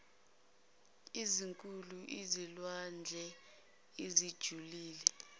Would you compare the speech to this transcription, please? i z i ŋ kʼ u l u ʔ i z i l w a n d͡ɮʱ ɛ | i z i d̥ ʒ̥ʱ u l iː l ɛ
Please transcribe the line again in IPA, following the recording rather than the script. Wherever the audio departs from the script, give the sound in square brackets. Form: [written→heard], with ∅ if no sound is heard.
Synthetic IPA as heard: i z i ŋ kʼ u l u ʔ i z i l w a n d͡ɮʱ ɛ | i z i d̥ ʒ̥ʱ u l iː l ɛ

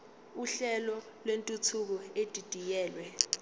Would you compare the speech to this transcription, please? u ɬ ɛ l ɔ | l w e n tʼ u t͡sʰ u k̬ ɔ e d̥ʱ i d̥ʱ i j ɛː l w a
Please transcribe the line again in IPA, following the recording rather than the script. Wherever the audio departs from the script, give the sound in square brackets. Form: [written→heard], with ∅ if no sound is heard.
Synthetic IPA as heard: u ɬ ɛ l ɔ | l w e n tʼ u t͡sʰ u k̬ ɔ e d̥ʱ i d̥ʱ i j ɛː l w [a→ɛ]

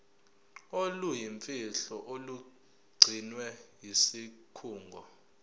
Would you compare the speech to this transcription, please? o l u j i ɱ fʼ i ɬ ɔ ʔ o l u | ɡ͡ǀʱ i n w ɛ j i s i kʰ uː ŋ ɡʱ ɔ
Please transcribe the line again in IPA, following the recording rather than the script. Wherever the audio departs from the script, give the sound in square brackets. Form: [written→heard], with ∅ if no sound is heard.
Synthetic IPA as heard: o l u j i ɱ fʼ i ɬ ɔ ʔ o l u | ɡ͡ǀʱ i n w ɛ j i s i kʰ uː ŋ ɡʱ ɔ

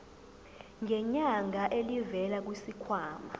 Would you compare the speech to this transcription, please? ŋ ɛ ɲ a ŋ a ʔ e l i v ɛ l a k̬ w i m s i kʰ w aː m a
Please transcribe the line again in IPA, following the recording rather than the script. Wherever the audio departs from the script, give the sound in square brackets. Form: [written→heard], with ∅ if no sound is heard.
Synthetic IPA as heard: ŋ ɛ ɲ a ŋ a ʔ e l i v ɛ l a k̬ w i [m→∅] s i kʰ w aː m a

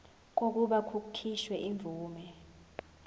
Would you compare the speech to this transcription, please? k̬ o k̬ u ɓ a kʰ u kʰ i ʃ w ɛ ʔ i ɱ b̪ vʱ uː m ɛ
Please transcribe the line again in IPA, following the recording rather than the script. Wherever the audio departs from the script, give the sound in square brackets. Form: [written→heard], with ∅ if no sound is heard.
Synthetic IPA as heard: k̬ o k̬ u ɓ a kʰ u kʰ i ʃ w ɛ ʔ i ɱ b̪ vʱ uː m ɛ

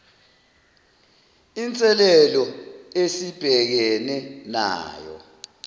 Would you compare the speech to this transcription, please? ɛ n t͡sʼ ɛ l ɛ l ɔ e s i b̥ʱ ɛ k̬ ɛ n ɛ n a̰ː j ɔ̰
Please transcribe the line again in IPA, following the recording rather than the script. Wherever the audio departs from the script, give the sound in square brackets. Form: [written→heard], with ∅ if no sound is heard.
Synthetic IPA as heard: [ɛ→i] n t͡sʼ ɛ l ɛ l ɔ e s i b̥ʱ ɛ k̬ ɛ n ɛ n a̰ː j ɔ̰

